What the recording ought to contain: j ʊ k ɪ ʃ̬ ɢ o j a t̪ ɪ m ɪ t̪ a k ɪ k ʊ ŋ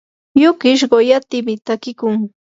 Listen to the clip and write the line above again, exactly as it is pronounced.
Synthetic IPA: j ʊ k ɪ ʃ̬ ɢ o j a t̪ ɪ m ɪ t̪ a k ɪ k ʊ ŋ

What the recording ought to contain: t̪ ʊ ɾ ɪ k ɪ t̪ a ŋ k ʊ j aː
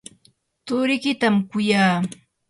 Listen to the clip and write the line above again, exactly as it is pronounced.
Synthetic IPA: t̪ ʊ ɾ ɪ k ɪ t̪ a m k ʊ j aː

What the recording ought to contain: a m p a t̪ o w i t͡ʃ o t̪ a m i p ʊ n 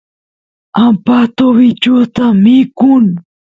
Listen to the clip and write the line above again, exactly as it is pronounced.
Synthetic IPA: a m p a t̪ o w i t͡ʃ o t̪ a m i k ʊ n

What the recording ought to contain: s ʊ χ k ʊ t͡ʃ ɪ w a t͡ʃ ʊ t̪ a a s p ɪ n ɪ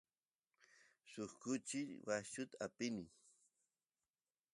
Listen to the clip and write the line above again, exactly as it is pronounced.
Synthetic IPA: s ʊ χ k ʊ t͡ʃ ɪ w a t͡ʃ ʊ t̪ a a p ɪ n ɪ

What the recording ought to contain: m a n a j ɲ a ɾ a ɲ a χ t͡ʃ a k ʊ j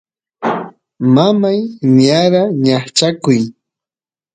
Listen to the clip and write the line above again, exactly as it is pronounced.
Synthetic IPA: m a m a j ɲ a ɾ a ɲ a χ t͡ʃ a k ʊ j

